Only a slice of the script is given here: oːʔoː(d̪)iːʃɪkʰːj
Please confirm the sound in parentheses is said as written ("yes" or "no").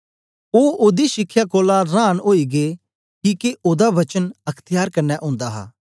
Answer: yes